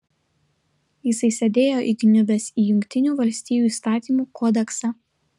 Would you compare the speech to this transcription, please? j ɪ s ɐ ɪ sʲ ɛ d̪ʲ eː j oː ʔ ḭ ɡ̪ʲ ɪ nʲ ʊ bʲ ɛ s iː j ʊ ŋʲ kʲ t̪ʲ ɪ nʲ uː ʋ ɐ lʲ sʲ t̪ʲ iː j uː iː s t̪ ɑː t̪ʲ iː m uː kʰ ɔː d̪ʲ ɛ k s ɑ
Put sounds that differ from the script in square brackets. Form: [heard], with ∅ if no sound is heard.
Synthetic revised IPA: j ɪ s ɐ ɪ sʲ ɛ d̪ʲ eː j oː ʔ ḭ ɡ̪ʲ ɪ nʲ ʊ bʲ ɛ s iː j ʊ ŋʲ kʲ t̪ʲ ɪ nʲ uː ʋ ɐ lʲ sʲ t̪ʲ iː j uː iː s t̪ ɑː t̪ʲ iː m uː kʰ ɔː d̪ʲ ɛ k s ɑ